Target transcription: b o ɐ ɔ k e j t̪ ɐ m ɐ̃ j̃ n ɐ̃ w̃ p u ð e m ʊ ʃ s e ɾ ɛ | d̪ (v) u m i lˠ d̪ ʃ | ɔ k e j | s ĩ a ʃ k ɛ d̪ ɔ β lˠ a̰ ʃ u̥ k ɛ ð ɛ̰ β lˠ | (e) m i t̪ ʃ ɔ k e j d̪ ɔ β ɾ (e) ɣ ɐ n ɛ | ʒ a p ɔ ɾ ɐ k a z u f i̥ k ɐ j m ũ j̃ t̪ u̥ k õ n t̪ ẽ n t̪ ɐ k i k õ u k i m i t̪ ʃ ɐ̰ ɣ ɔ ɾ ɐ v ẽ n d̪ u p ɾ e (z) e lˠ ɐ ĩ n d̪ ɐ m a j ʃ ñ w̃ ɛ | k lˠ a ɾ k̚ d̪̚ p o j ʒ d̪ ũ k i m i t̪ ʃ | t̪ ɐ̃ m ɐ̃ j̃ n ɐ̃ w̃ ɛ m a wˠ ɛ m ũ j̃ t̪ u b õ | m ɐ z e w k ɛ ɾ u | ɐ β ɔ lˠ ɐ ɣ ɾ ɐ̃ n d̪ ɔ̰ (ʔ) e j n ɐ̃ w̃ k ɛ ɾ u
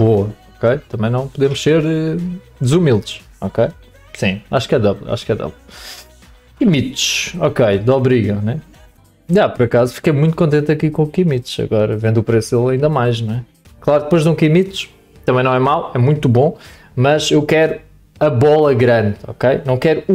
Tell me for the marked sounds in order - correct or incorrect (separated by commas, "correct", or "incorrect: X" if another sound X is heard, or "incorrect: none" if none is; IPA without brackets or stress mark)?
incorrect: z, incorrect: i, incorrect: i, incorrect: s, incorrect: k